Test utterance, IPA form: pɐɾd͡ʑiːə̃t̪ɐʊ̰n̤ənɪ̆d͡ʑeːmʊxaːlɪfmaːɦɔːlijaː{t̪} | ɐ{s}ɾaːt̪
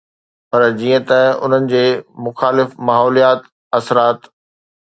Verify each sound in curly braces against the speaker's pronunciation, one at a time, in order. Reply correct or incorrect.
correct, correct

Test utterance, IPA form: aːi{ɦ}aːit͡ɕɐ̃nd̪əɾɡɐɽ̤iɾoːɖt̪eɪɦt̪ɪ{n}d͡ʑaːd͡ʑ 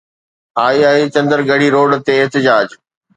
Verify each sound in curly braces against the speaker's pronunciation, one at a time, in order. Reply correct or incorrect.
incorrect: none, incorrect: none

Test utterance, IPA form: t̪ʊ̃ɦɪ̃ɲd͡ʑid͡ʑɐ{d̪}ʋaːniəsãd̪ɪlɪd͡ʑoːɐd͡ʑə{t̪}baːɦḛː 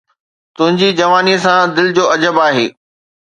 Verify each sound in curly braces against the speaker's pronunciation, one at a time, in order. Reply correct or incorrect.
incorrect: none, incorrect: none

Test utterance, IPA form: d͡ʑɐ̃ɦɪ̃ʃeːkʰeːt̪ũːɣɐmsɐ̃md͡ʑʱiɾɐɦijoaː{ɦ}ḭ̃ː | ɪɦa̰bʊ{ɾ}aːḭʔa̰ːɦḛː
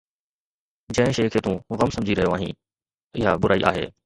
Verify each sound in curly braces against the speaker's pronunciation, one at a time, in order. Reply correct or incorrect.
correct, correct

